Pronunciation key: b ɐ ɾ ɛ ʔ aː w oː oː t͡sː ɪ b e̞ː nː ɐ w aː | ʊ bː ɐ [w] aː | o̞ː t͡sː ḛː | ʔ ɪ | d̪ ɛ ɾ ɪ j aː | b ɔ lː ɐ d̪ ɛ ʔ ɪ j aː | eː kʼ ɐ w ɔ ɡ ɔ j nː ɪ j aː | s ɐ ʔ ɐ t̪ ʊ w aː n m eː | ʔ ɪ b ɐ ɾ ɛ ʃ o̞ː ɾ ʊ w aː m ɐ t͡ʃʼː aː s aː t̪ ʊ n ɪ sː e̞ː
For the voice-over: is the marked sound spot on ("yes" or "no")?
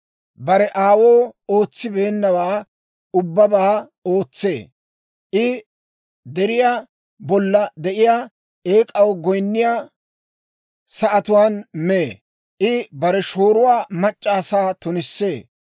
no